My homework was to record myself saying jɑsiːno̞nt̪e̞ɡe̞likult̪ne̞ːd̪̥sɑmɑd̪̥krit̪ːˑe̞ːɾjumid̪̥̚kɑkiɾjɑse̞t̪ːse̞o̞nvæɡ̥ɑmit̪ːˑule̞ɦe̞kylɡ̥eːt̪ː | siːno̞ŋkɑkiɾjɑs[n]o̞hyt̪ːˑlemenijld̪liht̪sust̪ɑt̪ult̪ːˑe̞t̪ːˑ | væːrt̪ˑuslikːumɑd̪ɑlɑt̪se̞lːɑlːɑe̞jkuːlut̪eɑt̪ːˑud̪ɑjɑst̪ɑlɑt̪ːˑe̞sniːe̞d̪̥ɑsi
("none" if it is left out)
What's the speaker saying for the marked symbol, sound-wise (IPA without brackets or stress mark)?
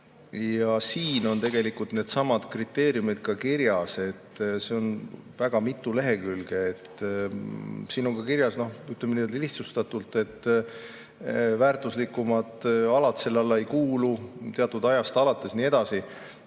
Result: n